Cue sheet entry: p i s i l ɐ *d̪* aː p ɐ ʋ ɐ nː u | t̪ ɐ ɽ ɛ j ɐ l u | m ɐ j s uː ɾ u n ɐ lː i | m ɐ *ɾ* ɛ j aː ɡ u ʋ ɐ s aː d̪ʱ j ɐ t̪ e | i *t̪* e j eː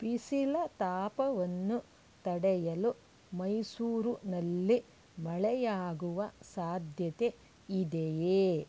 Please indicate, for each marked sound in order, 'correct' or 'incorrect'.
incorrect: t̪, incorrect: ɭ, incorrect: d̪

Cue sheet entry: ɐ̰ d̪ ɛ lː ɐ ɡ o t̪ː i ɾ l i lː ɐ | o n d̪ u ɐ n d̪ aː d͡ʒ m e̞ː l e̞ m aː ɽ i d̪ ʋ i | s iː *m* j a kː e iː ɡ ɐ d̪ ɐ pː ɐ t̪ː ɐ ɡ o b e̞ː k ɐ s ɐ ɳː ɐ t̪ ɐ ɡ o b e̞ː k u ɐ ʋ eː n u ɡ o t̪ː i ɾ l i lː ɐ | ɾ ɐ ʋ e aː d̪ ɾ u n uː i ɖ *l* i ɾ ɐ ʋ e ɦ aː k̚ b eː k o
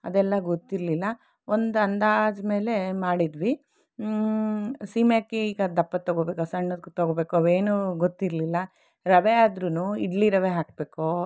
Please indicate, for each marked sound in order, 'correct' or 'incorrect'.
correct, correct

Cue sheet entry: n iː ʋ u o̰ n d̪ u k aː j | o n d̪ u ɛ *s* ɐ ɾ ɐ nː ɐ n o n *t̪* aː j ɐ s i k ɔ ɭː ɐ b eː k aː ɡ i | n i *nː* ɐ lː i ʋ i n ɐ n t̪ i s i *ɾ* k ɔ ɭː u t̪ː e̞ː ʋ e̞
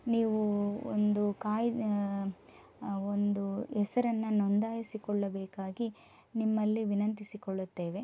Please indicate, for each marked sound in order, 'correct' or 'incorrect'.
correct, incorrect: d̪, incorrect: mː, incorrect: none

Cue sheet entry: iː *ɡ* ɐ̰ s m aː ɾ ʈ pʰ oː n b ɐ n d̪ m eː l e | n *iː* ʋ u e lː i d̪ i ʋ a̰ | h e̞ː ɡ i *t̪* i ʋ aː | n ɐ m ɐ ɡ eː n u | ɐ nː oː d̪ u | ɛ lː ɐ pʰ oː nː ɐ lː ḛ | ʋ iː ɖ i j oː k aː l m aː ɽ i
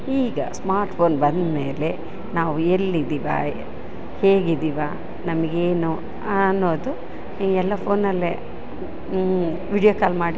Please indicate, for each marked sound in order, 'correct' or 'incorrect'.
correct, incorrect: aː, incorrect: d̪

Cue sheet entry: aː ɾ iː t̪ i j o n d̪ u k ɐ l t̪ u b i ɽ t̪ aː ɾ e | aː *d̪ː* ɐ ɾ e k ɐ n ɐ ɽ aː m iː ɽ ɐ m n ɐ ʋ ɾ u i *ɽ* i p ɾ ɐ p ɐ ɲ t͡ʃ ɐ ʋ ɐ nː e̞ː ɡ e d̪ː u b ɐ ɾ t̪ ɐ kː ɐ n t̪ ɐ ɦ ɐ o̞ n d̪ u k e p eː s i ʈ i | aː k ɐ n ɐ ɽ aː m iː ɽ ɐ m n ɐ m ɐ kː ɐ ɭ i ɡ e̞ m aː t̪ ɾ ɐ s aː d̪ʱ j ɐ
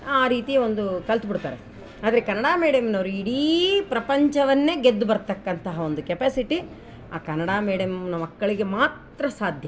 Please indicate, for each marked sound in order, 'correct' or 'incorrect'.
incorrect: d̪, correct

